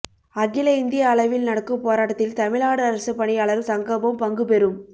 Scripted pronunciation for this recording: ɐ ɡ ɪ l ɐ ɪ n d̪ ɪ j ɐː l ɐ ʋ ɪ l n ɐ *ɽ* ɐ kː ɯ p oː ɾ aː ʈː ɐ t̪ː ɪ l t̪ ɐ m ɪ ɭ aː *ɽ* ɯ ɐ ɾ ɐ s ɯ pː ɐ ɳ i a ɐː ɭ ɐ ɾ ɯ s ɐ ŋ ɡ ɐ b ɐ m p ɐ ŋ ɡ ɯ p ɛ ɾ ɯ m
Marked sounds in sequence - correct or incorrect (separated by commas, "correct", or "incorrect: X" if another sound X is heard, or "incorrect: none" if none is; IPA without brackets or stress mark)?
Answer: correct, correct